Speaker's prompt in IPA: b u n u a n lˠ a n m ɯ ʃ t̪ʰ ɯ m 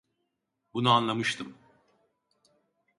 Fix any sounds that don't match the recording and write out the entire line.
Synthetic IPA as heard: b u n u a n lˠ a m ɯ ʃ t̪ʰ ɯ m